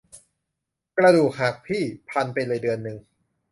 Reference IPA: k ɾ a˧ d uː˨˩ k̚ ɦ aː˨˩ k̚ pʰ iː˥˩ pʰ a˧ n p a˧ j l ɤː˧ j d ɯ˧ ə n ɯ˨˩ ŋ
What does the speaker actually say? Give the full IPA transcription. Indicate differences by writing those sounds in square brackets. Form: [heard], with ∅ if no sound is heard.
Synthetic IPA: k ɾ a˧ d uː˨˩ k̚ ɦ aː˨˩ k̚ pʰ iː˥˩ pʰ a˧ n p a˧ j l ɤː˧ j d ɯ˧ ə [nː] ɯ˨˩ ŋ